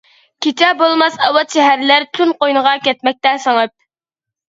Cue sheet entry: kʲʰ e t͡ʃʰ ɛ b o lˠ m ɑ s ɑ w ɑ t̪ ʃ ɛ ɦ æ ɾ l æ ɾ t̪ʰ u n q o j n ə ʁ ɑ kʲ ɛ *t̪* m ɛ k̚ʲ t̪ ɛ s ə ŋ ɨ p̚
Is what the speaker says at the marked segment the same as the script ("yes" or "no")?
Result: yes